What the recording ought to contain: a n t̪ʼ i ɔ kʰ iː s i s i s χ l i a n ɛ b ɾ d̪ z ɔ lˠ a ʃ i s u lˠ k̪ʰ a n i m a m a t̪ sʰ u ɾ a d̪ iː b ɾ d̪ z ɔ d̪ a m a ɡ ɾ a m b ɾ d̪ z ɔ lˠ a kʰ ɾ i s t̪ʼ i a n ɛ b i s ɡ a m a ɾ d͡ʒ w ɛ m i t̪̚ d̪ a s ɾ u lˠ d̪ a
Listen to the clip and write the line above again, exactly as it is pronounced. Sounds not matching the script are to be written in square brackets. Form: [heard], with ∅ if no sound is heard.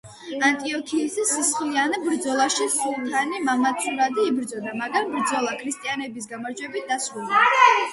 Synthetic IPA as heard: a n t̪ʼ i ɔ kʰ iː s i s i s χ l i a n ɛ b ɾ d̪ z ɔ lˠ a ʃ i s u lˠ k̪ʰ a n i m a m a t̪ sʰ u ɾ a d̪ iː b ɾ d̪ z ɔ d̪ a m a ɡ ɾ a m b ɾ d̪ z ɔ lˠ a kʰ ɾ i s t̪ʼ i a n ɛ b i s ɡ a m a ɾ d͡ʒ w ɛ [b] i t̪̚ d̪ a s ɾ u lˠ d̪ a